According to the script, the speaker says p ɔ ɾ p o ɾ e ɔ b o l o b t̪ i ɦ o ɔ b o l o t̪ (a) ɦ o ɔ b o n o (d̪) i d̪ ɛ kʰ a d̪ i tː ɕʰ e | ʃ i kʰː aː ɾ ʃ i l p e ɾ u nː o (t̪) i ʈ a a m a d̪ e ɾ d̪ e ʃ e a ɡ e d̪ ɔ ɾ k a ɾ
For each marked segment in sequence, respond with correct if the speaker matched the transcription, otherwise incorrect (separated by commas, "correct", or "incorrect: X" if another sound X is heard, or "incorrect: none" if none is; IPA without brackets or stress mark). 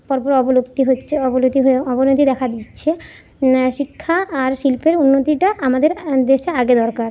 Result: incorrect: i, incorrect: t̪, correct